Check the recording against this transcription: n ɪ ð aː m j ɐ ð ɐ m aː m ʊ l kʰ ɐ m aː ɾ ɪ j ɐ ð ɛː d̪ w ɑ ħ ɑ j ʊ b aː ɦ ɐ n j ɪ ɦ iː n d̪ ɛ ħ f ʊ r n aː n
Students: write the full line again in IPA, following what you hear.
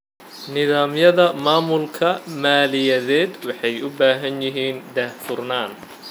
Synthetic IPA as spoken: n ɪ ð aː m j ɐ ð ɐ m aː m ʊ l kʰ ɐ m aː l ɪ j ɐ ð ɛː d̪ w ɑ ħ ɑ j ʊ b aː ɦ ɐ n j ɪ ɦ iː n d̪ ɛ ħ f ʊ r n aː n